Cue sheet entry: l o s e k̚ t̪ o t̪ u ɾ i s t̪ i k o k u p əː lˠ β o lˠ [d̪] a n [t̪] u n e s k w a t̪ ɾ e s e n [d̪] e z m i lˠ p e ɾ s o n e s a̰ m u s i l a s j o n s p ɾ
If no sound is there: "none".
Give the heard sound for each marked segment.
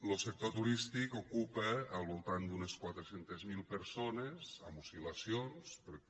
t̪, d̪, t̪

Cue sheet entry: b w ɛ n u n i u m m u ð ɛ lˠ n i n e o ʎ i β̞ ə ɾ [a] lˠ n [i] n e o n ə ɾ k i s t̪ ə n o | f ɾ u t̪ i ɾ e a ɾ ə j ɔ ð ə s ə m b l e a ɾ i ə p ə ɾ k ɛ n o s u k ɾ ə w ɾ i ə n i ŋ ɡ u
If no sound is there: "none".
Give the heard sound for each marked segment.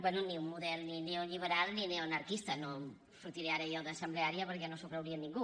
a, i

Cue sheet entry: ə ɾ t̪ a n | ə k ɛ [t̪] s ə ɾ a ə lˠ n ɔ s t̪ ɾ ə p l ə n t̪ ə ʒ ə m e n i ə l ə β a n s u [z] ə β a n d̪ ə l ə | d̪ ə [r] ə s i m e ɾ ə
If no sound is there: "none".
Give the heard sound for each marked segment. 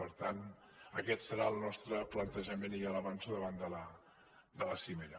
t̪, ð, l

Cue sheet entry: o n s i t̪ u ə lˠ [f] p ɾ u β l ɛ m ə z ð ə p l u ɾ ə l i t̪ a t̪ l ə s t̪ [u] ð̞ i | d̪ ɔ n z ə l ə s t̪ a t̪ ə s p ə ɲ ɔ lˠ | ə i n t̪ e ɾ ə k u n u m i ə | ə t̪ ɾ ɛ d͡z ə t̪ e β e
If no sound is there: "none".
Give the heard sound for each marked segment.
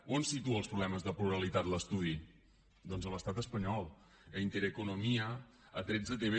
s, u

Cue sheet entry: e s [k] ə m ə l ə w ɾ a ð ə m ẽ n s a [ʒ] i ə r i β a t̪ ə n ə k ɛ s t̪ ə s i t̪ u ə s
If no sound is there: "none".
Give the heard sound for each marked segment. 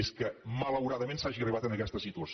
k, ʒ

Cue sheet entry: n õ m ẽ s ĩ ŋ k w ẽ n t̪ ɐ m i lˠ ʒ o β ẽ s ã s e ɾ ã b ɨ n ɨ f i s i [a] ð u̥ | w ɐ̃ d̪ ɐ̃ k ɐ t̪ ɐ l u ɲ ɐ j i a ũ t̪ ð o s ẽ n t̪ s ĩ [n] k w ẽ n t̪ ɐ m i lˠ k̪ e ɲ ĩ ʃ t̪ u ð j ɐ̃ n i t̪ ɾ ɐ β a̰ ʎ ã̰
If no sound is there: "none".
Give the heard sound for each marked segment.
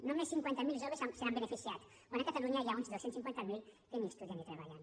a, ŋ

